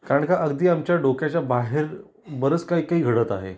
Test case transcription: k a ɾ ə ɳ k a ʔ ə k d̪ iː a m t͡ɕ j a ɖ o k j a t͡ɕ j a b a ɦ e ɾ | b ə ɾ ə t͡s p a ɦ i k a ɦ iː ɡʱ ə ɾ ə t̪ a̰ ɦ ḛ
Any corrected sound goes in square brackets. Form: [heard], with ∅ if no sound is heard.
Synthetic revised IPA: k a ɾ ə ɳ k a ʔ ə [ɡ] d̪ iː a m t͡ɕ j a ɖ o k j a t͡ɕ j a b a ɦ e ɾ | b ə ɾ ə t͡s [k] a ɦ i k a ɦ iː ɡʱ ə [ɽ] ə t̪ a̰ ɦ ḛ